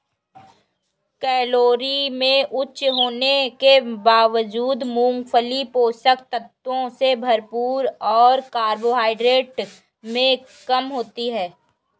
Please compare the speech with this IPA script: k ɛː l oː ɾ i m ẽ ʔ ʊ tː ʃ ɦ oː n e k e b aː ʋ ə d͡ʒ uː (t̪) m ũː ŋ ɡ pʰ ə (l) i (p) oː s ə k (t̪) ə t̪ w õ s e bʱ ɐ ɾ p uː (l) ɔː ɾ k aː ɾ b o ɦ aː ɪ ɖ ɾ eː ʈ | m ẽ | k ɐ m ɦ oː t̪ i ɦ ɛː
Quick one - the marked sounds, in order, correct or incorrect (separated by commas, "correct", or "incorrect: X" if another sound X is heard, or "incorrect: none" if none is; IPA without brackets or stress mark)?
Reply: incorrect: d̪, correct, correct, correct, incorrect: ɾ